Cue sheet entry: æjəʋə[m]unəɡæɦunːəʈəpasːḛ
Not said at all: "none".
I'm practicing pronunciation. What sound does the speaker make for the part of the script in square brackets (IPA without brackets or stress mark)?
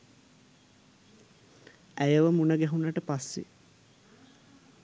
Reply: m